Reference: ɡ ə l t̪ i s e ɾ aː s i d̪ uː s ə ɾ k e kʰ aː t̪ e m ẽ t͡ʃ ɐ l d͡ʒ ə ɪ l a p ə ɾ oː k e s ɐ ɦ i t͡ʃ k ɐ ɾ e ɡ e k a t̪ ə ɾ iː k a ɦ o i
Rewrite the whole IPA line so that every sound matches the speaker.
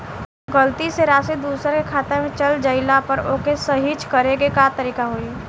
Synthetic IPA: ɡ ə l t̪ i s e ɾ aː s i d̪ uː s ə ɾ k e kʰ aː t̪ e m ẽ t͡ʃ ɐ l d͡ʒ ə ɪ l a p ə ɾ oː k e s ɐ ɦ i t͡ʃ k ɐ ɾ e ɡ e k a t̪ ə ɾ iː k a ɦ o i